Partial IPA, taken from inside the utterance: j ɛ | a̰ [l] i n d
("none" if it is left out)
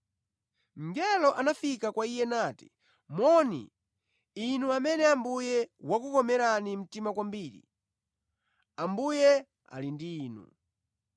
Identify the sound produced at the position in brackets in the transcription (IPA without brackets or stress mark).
l